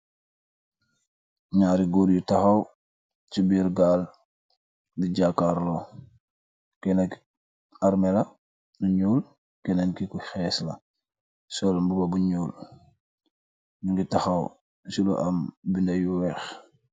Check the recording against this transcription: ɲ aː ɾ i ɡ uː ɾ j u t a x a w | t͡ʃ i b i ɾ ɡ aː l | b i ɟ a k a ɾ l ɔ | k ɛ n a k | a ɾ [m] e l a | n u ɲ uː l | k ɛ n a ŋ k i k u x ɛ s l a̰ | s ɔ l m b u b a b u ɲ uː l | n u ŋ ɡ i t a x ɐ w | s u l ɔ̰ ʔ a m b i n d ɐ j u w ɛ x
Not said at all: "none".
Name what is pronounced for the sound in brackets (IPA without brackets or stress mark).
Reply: m